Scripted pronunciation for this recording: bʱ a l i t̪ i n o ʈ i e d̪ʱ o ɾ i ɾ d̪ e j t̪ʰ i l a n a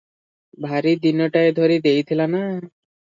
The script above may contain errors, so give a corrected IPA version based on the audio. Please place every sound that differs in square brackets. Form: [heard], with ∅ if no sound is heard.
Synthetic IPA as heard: bʱ a [ɾ] i [d̪] i n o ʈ [a] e d̪ʱ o ɾ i [∅] d̪ e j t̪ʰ i l a n a

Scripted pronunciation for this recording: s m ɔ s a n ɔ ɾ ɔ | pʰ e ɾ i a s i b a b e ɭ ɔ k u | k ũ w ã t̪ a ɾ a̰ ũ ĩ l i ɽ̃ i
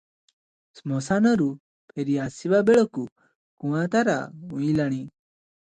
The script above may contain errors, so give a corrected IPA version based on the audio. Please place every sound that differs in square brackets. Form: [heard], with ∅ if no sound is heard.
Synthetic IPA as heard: s m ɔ s a n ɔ ɾ [u] | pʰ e ɾ i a s i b a b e ɭ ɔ k u | k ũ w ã t̪ a ɾ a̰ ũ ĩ l [a] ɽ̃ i

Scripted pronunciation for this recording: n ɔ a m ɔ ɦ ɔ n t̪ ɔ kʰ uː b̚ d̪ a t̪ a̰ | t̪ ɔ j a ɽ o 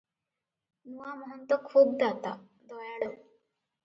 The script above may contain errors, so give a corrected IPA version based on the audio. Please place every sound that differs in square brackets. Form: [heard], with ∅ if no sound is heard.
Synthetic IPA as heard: n [u] a m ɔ ɦ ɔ n t̪ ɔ kʰ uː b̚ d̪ a t̪ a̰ | [d̪] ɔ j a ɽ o

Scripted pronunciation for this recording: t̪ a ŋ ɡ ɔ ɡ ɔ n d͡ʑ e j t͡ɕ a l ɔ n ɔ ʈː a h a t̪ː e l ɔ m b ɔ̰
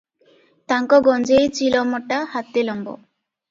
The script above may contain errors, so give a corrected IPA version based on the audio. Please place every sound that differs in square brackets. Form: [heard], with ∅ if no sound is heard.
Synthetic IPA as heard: t̪ a ŋ [k] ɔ ɡ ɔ n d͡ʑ e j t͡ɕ [i] l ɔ [m] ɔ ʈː a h a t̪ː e l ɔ m b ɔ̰

